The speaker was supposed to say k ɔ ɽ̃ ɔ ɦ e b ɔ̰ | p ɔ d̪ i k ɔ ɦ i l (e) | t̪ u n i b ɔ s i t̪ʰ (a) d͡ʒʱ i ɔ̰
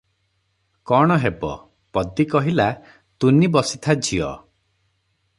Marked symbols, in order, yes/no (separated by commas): no, yes